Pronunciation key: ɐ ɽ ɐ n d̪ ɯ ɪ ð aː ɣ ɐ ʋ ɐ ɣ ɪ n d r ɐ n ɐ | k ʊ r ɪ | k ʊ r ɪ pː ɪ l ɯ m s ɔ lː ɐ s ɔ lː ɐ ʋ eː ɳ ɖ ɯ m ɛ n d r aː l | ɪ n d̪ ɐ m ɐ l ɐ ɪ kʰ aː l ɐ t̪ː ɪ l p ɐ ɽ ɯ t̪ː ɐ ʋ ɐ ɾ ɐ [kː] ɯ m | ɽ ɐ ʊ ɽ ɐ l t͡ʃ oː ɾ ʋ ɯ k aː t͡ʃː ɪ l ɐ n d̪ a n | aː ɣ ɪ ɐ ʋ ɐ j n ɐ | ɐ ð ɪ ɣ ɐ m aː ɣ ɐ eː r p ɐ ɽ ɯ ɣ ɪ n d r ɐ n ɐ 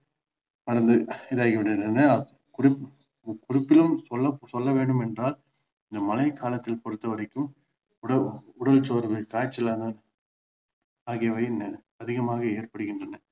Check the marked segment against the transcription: correct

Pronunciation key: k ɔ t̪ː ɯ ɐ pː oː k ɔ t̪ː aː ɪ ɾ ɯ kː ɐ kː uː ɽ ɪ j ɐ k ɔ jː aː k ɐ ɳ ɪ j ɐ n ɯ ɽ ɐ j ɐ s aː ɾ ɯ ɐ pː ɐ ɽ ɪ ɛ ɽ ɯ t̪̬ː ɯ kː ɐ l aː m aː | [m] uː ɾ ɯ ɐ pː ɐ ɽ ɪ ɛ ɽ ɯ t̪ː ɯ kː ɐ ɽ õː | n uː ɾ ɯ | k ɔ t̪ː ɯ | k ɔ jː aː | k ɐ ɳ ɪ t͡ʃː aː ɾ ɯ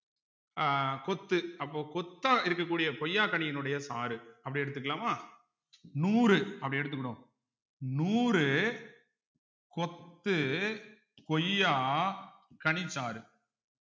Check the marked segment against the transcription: incorrect: n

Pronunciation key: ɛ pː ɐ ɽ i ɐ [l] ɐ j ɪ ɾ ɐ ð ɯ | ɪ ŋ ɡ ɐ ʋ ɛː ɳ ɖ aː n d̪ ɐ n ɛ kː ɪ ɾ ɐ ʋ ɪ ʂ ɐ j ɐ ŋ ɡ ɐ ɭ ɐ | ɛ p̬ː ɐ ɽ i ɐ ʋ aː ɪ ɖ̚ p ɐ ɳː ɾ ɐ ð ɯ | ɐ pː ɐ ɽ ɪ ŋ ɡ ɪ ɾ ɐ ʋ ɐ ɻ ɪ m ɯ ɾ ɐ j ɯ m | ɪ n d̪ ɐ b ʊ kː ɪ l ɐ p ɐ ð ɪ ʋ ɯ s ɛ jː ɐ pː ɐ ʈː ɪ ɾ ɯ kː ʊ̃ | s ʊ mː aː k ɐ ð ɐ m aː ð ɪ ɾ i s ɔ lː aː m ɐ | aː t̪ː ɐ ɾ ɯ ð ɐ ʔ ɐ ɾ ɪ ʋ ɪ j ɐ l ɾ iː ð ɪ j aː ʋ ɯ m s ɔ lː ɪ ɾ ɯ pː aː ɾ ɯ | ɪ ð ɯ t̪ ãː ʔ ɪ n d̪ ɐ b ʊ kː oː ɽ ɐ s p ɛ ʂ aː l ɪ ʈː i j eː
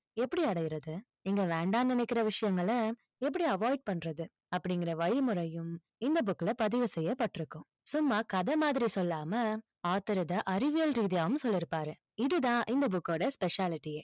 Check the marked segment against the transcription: incorrect: ɽ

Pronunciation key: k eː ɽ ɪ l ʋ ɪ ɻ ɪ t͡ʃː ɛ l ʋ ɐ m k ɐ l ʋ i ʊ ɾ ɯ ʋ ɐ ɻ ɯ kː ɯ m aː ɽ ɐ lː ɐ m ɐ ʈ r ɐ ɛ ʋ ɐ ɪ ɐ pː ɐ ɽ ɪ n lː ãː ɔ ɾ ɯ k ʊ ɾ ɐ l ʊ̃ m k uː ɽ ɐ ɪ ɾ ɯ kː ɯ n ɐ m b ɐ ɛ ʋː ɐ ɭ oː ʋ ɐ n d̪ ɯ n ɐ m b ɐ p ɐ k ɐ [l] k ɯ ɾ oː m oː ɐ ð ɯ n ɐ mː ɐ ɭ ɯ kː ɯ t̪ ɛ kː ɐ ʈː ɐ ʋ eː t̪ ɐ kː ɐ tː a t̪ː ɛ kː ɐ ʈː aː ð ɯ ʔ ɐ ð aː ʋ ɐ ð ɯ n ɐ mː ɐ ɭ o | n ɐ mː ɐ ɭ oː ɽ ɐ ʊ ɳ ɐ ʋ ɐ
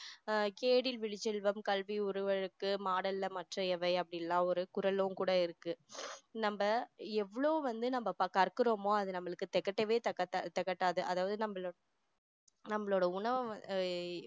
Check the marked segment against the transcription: incorrect: ɾ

